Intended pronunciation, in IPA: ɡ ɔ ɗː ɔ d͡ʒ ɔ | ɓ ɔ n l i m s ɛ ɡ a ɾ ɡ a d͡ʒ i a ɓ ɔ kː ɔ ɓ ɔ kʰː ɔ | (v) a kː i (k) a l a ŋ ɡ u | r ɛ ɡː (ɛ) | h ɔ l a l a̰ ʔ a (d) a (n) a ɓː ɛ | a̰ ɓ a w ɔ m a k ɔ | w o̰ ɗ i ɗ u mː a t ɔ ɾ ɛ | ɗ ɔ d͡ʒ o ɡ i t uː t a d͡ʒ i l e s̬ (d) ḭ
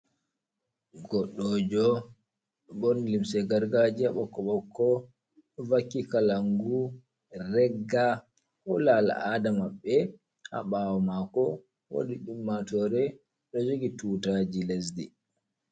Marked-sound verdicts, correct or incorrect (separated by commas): correct, correct, incorrect, correct, incorrect, correct